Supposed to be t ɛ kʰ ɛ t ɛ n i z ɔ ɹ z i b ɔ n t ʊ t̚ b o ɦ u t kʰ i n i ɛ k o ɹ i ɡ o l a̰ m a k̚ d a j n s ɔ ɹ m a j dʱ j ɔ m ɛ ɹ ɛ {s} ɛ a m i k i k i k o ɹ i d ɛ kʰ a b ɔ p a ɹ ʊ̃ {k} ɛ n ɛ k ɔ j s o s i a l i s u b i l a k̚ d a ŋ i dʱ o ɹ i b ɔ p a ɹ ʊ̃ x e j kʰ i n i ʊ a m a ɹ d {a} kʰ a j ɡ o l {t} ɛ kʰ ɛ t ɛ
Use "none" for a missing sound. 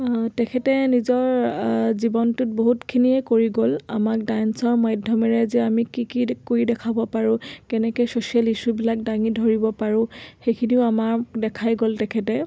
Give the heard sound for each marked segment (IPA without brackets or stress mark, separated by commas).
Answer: z, k, ɛ, t